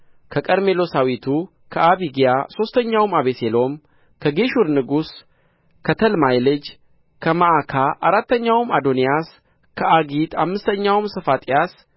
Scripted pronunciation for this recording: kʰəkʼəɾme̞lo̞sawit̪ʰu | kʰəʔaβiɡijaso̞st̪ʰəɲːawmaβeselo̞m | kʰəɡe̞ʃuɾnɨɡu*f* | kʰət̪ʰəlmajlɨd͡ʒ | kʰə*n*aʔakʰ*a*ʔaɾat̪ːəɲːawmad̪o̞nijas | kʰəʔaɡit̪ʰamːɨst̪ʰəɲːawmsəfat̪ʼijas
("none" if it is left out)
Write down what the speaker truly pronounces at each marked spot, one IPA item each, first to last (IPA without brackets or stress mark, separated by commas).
s, m, a